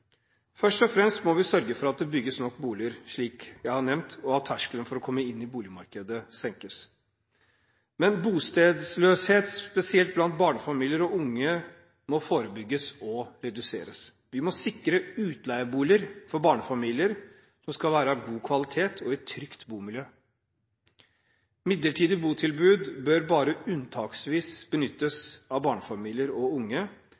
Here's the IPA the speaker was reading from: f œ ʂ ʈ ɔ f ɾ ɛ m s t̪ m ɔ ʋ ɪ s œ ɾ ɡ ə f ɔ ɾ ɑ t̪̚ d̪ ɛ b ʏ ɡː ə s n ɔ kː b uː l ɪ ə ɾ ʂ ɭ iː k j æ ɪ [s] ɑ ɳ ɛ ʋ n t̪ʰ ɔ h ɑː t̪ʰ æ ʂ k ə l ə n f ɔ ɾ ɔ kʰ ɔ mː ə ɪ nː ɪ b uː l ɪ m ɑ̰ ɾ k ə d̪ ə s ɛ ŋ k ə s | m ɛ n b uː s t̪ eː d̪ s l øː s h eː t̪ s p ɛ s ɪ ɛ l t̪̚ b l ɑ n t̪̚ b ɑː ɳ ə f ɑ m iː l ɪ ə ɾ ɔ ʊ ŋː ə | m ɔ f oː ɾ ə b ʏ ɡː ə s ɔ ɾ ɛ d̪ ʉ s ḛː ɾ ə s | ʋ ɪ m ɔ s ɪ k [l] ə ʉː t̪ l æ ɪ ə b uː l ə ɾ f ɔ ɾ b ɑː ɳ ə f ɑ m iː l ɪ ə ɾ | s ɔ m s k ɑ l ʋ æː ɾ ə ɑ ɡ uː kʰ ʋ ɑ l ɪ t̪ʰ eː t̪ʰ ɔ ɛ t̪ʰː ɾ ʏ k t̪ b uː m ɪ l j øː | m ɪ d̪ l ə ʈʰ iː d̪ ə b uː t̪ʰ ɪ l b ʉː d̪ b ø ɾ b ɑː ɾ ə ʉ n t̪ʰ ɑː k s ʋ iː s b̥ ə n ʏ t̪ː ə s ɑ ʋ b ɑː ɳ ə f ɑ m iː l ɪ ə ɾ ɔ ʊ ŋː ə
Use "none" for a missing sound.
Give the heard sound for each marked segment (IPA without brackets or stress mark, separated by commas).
h, ɾ